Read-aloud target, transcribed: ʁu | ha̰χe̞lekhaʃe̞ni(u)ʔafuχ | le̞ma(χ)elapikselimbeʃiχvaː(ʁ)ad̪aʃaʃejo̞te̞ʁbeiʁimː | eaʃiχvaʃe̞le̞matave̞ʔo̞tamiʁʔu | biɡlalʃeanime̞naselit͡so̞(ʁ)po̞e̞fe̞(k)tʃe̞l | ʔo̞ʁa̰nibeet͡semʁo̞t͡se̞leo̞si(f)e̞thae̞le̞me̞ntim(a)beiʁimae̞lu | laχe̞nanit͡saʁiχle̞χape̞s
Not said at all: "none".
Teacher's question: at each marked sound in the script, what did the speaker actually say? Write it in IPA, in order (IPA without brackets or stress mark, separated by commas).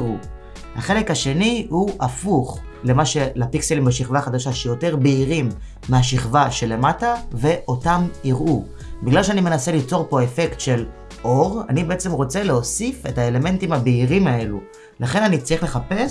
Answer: u, ʃ, χ, ʁ, k, f, a